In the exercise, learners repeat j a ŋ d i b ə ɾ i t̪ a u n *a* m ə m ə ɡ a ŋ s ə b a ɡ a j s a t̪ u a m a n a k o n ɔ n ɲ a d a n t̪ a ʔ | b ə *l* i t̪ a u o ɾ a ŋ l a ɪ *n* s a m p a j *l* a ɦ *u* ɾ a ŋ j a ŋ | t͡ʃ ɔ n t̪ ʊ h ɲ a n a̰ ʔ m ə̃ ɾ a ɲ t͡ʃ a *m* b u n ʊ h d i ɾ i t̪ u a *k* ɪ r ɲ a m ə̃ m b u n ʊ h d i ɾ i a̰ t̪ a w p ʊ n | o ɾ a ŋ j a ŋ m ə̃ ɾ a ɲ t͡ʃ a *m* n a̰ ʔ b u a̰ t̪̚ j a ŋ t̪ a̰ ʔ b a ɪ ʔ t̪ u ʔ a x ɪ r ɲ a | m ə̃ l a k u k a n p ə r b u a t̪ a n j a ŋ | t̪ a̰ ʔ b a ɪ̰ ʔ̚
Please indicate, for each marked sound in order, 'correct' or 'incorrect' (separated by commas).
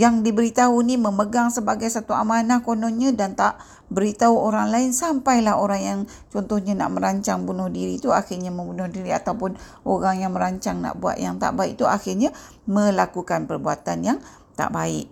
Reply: incorrect, incorrect, correct, correct, incorrect, incorrect, incorrect, incorrect